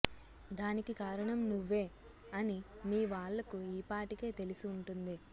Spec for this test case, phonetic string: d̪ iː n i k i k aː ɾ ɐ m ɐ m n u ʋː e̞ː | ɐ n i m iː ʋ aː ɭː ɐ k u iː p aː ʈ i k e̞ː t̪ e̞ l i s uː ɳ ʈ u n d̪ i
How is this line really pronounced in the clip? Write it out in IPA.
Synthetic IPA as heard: d̪ aː n i k i k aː ɾ ɐ ɳ ɐ m n u ʋː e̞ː | ɐ n i m iː ʋ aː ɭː ɐ k u iː p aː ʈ i k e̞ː t̪ e̞ l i s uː ɳ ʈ u n d̪ i